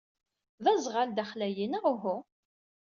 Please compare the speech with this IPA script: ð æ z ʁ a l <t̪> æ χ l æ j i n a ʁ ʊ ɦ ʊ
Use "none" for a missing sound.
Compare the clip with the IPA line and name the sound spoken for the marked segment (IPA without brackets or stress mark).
d̪